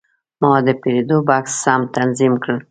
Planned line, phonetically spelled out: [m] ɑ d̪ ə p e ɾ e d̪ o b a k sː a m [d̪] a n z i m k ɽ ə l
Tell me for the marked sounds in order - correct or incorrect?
correct, incorrect: t̪

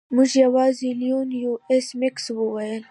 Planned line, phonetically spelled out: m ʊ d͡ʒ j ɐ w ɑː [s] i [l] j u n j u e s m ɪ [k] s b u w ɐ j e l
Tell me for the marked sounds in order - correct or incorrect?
incorrect: z, correct, correct

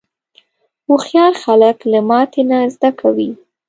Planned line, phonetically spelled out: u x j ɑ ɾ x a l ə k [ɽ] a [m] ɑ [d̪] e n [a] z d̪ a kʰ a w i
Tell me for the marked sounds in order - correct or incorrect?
incorrect: l, correct, incorrect: t̪, correct

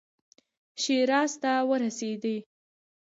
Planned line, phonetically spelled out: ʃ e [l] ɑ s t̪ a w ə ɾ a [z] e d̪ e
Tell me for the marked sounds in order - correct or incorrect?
incorrect: ɾ, incorrect: s

